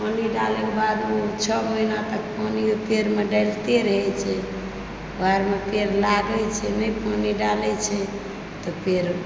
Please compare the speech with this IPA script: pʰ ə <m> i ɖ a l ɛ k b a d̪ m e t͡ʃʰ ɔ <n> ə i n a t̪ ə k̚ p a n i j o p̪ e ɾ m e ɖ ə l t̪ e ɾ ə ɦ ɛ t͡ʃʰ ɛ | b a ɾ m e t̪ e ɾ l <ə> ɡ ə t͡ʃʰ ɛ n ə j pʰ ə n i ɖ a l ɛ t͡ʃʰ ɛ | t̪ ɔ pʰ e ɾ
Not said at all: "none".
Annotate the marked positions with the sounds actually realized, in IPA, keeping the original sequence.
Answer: n, m, a

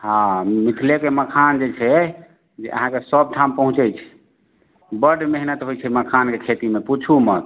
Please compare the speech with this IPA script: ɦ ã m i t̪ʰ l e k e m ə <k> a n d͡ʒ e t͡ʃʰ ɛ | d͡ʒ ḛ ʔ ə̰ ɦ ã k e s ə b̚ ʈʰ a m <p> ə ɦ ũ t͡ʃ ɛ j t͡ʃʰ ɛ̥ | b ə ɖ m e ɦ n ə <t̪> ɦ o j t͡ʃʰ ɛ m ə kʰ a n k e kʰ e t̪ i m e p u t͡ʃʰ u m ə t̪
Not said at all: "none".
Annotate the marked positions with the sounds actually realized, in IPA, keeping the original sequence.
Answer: kʰ, p, t̪

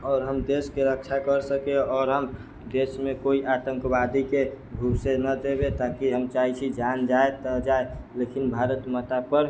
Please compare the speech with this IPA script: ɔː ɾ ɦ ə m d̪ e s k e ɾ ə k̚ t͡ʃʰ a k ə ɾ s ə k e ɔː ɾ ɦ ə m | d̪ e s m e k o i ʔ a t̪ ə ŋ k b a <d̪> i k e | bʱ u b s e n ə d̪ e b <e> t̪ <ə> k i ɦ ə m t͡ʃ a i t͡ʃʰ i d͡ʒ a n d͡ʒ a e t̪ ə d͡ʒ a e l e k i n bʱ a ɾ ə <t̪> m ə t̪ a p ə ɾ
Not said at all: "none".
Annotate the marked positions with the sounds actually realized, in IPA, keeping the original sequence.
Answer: d̪, e, a, t̪

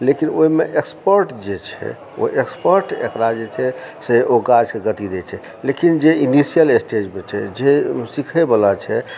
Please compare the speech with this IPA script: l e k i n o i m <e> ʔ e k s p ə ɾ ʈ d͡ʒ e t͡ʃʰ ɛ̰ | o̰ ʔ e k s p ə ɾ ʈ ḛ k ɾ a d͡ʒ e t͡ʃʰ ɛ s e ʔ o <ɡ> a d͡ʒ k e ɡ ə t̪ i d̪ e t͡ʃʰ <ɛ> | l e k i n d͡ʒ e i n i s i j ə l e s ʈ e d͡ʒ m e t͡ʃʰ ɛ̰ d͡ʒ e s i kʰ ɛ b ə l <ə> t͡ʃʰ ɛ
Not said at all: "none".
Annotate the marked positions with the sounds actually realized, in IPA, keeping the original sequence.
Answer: e, ɡ, ɛ, a

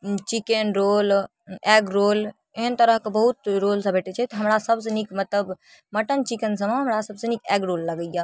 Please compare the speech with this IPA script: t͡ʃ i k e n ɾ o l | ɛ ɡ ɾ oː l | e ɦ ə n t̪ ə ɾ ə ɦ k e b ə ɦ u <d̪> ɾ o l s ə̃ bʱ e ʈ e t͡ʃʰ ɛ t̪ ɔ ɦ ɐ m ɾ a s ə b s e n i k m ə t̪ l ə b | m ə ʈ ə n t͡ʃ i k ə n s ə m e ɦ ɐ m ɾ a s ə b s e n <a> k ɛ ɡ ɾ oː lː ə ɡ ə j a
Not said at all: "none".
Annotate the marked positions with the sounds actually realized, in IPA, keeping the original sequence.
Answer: t̪, i

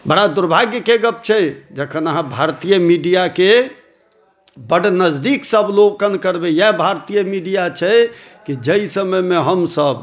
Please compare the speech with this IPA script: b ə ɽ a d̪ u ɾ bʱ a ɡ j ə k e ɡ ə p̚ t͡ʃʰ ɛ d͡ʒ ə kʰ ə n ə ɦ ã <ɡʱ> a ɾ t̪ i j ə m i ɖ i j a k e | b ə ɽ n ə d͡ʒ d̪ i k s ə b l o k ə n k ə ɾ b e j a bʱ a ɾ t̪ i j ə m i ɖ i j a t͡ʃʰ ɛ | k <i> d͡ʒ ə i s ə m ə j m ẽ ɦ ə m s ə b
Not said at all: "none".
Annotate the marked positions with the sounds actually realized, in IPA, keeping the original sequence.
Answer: bʱ, i

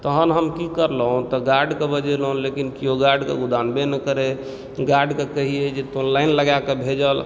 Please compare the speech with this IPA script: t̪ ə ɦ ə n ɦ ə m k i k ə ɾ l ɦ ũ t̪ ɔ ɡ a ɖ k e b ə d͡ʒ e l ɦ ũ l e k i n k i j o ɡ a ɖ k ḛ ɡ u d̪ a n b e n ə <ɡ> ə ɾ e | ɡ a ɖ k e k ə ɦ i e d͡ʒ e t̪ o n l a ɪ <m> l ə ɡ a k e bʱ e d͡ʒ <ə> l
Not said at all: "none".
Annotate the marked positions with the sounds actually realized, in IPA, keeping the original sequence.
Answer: k, n, ə

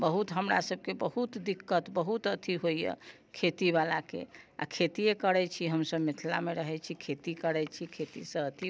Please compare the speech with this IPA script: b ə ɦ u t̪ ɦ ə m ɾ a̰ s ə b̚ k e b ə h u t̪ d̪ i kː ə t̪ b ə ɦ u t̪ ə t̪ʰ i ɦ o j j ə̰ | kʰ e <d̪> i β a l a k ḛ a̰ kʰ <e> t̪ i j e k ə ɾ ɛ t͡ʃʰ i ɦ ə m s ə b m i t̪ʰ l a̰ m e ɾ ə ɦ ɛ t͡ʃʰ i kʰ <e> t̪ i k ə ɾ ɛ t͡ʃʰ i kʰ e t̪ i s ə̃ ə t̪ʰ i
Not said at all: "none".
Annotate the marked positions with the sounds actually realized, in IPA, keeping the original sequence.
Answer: t̪, e, e

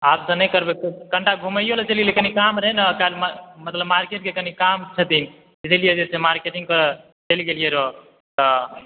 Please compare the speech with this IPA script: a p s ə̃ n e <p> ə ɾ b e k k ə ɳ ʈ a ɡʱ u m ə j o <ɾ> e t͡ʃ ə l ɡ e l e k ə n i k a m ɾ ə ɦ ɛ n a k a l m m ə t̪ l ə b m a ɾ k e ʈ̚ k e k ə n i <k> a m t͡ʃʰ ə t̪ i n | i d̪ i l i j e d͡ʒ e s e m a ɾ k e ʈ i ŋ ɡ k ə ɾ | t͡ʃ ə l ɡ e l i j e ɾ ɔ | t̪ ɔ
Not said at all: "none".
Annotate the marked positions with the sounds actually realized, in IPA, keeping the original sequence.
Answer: k, l, k

